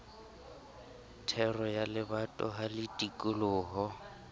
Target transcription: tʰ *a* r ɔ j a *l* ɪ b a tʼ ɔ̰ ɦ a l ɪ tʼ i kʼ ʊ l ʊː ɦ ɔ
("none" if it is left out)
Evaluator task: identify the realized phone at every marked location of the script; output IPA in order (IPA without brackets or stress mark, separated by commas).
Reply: ɛ, l